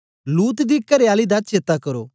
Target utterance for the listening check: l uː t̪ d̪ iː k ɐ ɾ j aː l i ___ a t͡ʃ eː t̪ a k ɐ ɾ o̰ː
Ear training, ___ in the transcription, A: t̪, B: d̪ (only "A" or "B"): B